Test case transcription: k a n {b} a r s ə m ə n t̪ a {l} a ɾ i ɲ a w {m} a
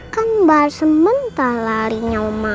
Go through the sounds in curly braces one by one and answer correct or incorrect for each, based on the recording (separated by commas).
correct, correct, correct